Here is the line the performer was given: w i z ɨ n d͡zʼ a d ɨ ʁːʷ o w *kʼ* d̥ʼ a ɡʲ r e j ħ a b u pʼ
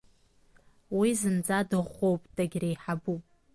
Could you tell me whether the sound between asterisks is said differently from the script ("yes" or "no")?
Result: yes